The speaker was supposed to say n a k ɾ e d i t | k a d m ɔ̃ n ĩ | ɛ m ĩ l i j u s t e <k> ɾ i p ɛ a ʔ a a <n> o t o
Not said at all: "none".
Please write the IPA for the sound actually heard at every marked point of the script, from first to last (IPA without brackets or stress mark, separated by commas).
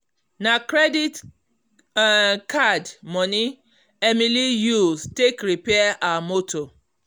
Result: k, m